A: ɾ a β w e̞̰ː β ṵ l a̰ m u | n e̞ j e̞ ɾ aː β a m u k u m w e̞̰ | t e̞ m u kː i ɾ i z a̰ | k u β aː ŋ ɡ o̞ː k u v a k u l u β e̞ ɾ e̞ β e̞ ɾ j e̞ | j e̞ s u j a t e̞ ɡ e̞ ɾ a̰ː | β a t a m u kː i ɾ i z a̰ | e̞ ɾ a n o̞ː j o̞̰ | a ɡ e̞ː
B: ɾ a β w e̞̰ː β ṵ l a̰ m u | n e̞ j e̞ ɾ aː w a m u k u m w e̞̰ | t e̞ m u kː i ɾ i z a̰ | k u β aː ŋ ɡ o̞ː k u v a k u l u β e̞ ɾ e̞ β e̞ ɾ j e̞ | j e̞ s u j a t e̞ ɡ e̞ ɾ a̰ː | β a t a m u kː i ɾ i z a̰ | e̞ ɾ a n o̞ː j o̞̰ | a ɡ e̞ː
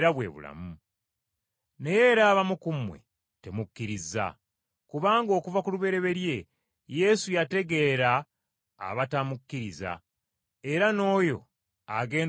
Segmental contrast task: A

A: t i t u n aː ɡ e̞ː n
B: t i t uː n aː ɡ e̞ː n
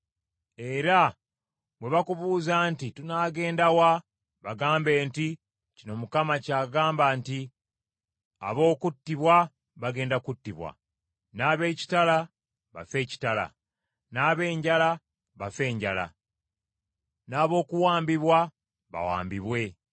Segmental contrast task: A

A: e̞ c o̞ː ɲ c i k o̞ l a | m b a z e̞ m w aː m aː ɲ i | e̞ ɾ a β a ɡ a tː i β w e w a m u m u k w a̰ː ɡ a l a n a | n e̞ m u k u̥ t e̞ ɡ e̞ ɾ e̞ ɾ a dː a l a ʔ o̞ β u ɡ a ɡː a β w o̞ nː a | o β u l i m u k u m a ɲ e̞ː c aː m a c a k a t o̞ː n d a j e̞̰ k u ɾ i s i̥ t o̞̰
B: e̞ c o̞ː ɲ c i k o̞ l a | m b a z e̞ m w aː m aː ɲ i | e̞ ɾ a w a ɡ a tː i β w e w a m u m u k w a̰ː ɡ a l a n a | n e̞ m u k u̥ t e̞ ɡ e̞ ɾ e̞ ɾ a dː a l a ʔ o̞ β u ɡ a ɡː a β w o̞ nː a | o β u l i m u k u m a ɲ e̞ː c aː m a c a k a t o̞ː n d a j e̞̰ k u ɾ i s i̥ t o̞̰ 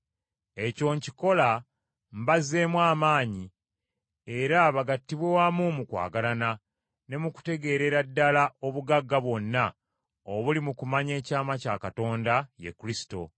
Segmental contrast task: A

